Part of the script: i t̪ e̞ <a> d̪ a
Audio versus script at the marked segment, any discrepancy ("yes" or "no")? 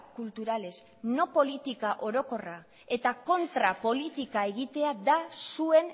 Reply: no